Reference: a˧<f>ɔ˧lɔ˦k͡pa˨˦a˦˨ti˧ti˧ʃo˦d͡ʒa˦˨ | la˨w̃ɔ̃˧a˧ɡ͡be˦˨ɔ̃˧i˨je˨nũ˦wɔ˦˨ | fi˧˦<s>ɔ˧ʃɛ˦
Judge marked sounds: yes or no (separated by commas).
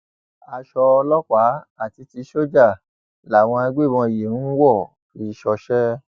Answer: no, no